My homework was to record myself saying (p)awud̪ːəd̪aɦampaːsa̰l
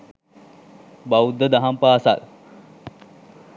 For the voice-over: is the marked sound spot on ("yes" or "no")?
no